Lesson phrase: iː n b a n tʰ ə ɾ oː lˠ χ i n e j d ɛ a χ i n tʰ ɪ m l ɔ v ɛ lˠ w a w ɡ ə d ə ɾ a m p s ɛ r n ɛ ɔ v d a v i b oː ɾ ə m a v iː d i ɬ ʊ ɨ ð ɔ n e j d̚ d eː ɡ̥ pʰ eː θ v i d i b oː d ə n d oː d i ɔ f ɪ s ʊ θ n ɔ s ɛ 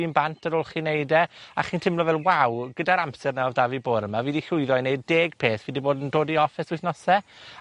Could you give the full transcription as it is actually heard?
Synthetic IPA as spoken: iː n b a n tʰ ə ɾ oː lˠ χ i n e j d ɛ a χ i n tʰ ɪ m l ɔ v ɛ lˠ w a w ɡ ə d a ɾ a m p s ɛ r n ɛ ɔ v d a v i b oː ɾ ə m a v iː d i ɬ ʊ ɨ ð ɔ n e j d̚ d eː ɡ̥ pʰ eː θ v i d i b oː d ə n d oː d i ɔ f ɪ s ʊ θ n ɔ s ɛ